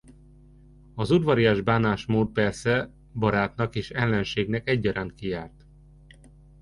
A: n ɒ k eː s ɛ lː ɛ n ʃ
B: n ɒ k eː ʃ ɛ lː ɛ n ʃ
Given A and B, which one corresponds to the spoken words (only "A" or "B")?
B